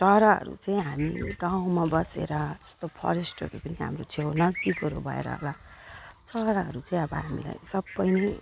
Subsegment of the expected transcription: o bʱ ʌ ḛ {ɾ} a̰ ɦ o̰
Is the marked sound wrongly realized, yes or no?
no